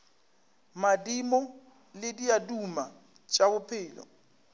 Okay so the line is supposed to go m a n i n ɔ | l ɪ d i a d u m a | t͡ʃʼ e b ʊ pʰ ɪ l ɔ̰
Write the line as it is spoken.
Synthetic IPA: m a d i m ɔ | l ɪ d i a d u m a | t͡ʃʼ a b ʊ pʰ ɪː l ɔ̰